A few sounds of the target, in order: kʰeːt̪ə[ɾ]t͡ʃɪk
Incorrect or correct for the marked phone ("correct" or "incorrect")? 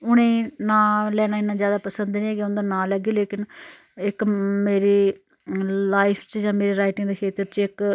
correct